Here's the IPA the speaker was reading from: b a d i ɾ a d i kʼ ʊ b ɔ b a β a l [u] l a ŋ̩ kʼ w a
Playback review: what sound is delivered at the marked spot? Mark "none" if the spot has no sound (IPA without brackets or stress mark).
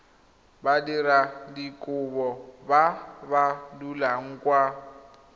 u